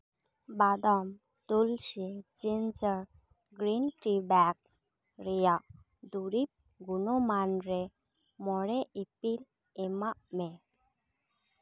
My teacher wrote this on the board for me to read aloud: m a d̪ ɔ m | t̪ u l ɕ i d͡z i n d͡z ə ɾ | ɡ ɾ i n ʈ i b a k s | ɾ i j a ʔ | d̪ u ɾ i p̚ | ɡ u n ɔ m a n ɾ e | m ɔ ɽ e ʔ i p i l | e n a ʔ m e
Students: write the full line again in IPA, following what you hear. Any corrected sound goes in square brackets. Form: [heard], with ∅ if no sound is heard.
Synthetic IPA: [b] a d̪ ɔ m | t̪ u l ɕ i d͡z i n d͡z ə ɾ | ɡ ɾ i n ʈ i b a k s | ɾ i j a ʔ | d̪ u ɾ i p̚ | ɡ u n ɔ m a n ɾ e | m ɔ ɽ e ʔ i p i l | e [m] a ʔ m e